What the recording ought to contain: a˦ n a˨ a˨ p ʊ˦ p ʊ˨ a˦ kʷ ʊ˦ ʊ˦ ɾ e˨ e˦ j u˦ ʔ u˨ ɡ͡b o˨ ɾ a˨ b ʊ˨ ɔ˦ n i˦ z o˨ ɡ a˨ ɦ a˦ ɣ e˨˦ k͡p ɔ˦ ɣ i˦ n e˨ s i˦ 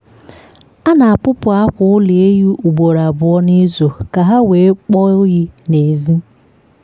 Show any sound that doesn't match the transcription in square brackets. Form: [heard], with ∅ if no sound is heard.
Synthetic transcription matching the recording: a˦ n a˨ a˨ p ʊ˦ p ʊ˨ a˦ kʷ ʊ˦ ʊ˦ [l] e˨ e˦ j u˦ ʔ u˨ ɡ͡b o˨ ɾ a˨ b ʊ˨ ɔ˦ n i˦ z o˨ [k] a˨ ɦ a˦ [w] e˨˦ k͡p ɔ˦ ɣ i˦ n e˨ [z] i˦